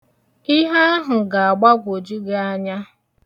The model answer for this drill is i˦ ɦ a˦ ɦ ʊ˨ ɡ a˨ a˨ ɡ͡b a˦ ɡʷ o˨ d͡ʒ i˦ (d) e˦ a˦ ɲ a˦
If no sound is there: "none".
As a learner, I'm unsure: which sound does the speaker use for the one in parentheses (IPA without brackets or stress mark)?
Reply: ɡ